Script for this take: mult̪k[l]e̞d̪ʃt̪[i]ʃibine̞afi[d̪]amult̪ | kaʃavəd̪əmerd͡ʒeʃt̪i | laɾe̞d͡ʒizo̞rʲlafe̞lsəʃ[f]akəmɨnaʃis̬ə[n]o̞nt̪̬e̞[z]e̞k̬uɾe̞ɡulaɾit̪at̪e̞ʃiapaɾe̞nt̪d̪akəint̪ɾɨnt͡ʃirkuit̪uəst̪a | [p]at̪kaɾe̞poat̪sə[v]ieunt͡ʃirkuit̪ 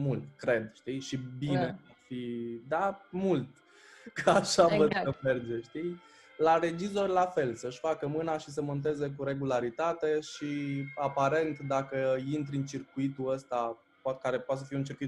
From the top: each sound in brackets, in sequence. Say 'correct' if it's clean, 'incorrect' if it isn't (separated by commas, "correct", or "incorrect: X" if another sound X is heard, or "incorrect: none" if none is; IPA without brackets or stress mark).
incorrect: ɾ, correct, correct, correct, incorrect: m, correct, correct, incorrect: f